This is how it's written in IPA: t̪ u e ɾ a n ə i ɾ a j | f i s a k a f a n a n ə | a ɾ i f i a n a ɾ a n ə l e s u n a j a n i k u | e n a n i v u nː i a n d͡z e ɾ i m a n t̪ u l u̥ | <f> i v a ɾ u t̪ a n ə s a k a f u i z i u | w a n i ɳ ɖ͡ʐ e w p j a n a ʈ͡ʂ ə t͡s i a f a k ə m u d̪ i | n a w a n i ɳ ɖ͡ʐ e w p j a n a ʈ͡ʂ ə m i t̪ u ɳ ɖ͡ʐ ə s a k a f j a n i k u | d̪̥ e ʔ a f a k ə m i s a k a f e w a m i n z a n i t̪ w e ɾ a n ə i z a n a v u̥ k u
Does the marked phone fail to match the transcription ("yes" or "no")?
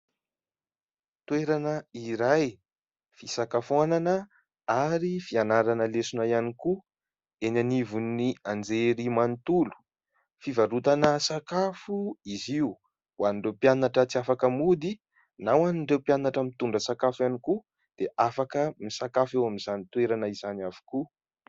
no